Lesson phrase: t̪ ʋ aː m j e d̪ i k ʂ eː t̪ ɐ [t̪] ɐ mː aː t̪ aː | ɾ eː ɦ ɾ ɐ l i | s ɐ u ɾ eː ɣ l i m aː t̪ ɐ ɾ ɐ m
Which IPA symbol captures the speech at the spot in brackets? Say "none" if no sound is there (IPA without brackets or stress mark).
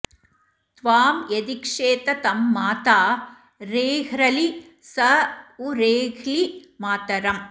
t̪